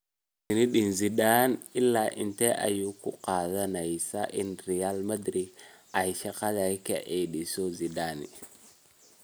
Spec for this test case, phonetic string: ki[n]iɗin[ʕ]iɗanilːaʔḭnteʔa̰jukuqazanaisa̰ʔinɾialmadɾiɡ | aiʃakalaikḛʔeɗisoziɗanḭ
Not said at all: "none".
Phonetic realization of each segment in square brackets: n, z

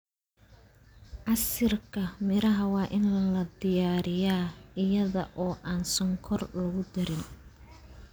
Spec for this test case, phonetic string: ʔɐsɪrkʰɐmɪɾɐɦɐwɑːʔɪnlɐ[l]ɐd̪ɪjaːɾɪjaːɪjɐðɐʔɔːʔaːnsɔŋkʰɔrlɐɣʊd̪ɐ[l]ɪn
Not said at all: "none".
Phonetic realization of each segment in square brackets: l, ɾ

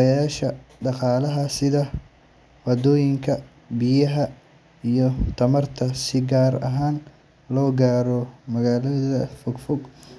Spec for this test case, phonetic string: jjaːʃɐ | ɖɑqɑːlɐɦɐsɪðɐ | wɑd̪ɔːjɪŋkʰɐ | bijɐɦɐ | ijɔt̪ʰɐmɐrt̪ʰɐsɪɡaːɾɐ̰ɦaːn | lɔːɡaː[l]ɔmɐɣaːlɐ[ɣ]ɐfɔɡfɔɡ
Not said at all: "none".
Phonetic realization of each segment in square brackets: ɾ, ð

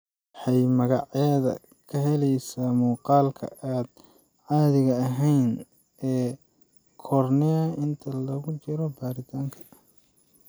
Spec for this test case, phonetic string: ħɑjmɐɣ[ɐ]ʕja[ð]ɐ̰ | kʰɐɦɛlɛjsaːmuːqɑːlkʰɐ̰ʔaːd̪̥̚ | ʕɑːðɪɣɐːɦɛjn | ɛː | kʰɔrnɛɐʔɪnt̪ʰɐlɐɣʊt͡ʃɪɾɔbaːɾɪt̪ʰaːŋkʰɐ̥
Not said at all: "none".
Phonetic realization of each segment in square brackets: ɑ, ð

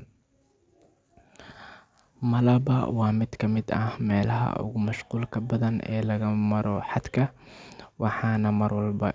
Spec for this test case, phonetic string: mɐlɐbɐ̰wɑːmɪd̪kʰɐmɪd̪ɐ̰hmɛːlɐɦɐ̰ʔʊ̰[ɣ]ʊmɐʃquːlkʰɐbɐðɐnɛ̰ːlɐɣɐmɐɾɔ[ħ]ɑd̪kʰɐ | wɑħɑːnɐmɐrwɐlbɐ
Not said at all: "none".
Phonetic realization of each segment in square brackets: ɣ, ħ

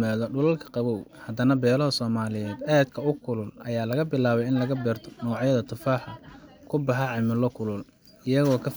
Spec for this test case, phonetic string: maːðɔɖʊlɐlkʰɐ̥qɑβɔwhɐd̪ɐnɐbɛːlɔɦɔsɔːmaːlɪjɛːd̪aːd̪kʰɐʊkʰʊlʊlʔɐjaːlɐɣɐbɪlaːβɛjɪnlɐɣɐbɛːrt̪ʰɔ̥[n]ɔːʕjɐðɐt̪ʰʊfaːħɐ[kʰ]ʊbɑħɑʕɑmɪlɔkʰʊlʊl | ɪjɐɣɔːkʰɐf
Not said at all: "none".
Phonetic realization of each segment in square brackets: n, kʰ

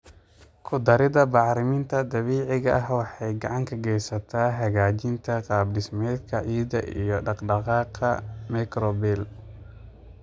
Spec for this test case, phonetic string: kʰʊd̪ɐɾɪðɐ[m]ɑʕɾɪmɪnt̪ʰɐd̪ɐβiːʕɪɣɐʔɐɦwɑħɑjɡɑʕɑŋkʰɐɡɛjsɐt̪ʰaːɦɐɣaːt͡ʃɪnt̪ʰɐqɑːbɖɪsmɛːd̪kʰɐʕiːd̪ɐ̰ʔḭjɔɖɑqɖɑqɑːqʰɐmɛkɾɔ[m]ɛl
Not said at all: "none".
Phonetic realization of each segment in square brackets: b, b

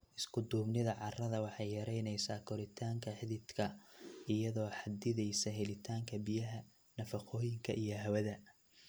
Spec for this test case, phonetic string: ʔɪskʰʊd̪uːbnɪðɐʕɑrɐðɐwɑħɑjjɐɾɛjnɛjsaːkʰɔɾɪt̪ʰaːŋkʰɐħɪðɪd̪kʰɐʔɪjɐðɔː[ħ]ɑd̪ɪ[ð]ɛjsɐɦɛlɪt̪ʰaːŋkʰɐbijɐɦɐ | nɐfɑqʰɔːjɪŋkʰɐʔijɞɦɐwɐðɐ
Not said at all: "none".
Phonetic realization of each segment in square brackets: ħ, ð

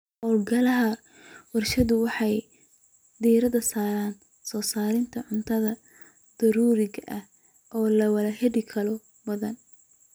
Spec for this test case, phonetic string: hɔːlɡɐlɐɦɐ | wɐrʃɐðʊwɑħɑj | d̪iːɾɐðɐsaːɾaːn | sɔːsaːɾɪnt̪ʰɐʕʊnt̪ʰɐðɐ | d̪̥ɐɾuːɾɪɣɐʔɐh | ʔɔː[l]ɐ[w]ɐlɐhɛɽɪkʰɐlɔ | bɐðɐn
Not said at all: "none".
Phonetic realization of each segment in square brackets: l, w

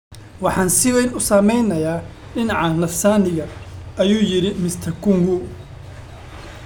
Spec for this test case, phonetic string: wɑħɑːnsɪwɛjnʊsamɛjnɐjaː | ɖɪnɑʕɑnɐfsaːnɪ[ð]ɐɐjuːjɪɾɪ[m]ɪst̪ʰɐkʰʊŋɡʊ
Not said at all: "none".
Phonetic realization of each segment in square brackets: ɣ, m

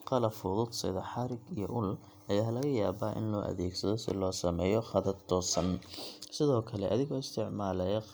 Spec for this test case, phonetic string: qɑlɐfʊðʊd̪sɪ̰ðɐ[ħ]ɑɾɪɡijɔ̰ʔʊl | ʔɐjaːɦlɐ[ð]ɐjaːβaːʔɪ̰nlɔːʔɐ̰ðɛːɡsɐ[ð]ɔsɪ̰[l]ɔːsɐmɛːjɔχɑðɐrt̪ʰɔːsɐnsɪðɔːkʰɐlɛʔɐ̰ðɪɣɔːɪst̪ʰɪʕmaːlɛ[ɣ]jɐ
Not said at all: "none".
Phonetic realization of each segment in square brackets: ħ, ɣ, ð, l, none

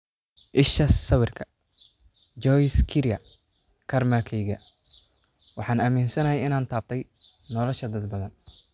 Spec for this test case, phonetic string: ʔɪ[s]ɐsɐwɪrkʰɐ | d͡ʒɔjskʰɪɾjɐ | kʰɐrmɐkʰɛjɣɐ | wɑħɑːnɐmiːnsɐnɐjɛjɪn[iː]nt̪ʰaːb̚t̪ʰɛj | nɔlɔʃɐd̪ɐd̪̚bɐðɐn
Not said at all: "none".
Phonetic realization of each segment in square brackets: ʃ, aː

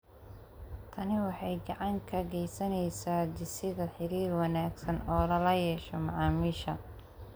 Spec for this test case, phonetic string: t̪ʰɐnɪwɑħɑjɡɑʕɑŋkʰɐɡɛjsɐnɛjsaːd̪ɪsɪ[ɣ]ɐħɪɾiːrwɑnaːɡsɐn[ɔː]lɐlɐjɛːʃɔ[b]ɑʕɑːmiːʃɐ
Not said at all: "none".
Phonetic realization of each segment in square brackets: ð, ɔː, m

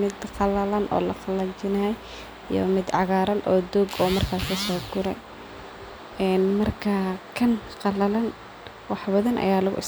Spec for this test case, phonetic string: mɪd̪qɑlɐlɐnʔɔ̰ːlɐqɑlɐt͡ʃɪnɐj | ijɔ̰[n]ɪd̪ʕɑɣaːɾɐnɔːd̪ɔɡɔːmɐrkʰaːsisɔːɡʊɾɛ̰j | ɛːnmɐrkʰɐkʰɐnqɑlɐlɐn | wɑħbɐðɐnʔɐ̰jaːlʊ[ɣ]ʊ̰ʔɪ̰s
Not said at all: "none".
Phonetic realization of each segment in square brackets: m, ɣ

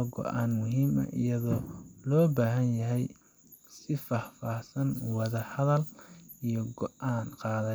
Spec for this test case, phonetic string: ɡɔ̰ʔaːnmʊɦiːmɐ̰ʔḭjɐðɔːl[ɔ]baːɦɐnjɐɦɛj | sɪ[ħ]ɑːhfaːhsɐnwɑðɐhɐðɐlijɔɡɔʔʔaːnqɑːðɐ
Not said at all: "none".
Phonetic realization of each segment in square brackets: ɔː, f

